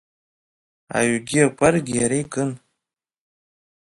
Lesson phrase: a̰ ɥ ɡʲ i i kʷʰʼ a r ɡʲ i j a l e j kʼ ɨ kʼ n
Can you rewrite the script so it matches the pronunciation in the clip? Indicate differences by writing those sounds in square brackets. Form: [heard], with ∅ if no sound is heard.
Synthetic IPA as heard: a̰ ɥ ɡʲ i [a] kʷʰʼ a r ɡʲ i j a [ɾ] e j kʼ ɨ [∅] n